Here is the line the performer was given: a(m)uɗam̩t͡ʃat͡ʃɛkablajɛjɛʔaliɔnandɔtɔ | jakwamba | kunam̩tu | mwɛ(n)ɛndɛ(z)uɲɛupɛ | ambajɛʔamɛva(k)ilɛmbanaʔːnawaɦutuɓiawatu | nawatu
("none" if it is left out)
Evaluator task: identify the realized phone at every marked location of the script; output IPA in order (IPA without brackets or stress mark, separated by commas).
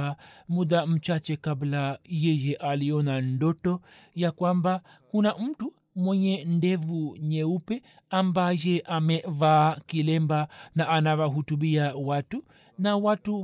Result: m, ɲ, v, k